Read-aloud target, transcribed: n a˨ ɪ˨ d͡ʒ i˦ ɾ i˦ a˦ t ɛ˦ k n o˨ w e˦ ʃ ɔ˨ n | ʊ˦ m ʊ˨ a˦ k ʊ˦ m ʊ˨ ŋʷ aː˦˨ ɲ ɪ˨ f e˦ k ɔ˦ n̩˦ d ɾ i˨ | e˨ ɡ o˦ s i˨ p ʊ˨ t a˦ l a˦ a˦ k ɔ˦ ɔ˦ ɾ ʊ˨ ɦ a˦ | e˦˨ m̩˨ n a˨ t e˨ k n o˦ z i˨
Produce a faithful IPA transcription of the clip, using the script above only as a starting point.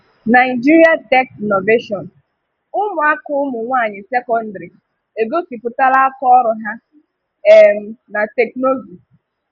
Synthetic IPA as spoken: n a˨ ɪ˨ d͡ʒ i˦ ɾ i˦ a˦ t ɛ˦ k n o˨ v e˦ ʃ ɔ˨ n | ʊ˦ m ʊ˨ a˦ k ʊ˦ m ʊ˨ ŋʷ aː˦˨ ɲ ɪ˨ s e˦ k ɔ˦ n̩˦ d ɾ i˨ | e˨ ɡ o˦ s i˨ p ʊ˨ t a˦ l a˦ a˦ k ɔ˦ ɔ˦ ɾ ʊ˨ ɦ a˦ | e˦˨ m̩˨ n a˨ t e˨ k n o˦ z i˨